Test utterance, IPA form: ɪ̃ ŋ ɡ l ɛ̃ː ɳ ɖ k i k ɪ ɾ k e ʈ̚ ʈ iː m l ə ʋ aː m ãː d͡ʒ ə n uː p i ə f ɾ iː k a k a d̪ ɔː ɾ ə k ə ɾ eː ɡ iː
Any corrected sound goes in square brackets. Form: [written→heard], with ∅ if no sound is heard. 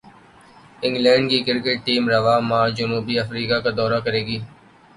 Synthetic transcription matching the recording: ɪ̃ ŋ ɡ l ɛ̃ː ɳ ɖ k i k ɪ ɾ k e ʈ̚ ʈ iː m [l→ɾ] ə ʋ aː m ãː d͡ʒ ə n uː [p→b] i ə f ɾ iː k a k a d̪ ɔː ɾ [ə→a] k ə ɾ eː ɡ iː

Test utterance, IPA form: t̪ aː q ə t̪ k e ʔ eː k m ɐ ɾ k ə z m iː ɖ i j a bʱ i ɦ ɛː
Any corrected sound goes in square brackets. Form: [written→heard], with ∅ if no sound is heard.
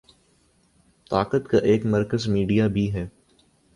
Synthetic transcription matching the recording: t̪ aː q ə t̪ k [e→a] ʔ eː k m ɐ ɾ k ə z m iː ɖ i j a bʱ i ɦ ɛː

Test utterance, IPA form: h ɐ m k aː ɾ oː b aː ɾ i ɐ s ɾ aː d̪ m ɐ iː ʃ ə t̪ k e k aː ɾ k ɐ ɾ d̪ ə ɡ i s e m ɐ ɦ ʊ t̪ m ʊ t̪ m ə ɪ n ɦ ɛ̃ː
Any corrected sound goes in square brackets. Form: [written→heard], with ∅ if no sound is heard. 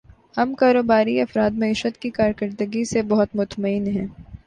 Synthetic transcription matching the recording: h ɐ m k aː ɾ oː b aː ɾ i ɐ [s→f] ɾ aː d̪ m ɐ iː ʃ ə t̪ k [e→i] k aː ɾ k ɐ ɾ d̪ ə ɡ i s e [m→b] ɐ ɦ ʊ t̪ m ʊ t̪ m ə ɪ n ɦ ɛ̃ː

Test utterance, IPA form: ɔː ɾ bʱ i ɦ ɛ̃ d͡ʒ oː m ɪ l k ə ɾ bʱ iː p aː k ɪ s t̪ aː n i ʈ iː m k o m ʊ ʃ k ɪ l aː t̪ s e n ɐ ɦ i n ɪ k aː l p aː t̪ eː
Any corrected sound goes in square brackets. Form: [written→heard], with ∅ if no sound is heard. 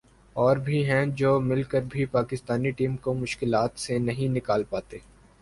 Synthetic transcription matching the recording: ɔː ɾ bʱ i ɦ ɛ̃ d͡ʒ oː m ɪ l k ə ɾ bʱ [iː→i] p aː k ɪ s t̪ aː n i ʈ iː m k o m ʊ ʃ k ɪ l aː t̪ s e n ɐ ɦ [i→ĩ] n ɪ k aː l p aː t̪ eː

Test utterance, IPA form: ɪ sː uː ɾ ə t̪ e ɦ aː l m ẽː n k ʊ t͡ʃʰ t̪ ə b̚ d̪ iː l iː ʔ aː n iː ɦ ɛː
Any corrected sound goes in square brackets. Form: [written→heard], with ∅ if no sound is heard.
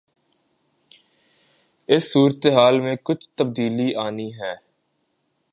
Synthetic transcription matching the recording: ɪ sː uː ɾ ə t̪ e ɦ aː l m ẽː [n→∅] k ʊ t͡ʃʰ t̪ ə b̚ d̪ iː l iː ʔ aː n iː ɦ ɛː

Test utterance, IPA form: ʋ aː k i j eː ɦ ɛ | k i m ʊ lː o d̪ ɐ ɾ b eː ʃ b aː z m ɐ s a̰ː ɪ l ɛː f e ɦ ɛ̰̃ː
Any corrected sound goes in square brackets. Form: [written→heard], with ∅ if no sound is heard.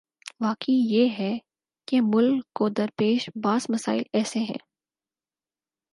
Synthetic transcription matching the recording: ʋ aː k i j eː ɦ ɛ | k [i→e] m ʊ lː o d̪ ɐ ɾ [b→p] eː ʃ b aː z m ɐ s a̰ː ɪ l ɛː [f→s] e ɦ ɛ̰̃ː

